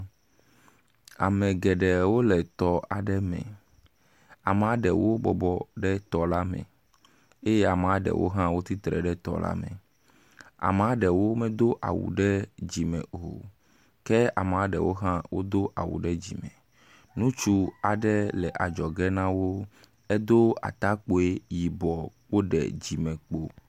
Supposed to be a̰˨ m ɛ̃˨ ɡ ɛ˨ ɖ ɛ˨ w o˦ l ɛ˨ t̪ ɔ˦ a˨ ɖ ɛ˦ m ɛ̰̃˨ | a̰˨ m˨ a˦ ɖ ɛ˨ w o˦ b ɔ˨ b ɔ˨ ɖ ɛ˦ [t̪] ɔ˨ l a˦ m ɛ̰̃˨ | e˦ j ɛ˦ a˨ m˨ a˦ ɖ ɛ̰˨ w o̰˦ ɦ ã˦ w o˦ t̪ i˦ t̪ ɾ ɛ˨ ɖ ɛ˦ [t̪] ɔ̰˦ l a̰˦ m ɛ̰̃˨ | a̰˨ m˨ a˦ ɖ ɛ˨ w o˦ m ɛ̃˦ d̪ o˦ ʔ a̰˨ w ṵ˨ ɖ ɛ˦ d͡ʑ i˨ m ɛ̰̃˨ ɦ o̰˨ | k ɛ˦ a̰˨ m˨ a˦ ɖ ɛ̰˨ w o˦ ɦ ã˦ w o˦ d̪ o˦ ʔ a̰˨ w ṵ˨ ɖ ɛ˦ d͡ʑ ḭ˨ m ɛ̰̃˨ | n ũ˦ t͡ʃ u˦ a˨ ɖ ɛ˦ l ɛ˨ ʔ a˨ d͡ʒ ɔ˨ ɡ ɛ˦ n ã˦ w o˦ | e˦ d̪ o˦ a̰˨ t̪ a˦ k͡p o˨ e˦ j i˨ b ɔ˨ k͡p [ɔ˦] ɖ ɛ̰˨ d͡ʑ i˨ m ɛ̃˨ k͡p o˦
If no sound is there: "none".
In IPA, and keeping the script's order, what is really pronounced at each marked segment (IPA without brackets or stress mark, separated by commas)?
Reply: t̪, t̪, o˦